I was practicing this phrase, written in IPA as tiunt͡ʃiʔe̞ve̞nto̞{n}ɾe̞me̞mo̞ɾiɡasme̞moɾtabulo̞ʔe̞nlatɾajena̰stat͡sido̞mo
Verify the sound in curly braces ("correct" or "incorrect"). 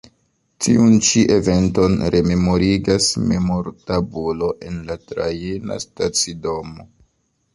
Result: correct